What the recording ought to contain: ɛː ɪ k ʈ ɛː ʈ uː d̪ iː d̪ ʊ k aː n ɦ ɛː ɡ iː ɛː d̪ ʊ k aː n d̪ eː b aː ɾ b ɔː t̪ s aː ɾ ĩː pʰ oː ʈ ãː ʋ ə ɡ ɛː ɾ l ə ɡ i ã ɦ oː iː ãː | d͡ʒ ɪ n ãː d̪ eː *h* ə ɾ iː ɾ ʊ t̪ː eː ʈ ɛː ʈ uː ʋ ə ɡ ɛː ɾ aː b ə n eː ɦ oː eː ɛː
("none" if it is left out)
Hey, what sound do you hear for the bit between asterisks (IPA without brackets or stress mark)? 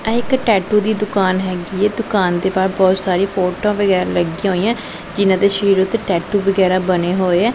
ʃ